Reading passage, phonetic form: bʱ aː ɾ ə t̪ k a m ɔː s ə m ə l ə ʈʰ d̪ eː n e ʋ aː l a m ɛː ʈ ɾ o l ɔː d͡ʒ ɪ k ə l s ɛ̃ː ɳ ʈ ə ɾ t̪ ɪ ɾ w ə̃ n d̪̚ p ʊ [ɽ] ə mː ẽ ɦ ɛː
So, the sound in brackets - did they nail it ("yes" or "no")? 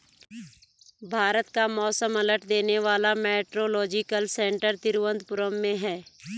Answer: no